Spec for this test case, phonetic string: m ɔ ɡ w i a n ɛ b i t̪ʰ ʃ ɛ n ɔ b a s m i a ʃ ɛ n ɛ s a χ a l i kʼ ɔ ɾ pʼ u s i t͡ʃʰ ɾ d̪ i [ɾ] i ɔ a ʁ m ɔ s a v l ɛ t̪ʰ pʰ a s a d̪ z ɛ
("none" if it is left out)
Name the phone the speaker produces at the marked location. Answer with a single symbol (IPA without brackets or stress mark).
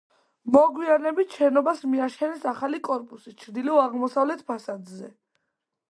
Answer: l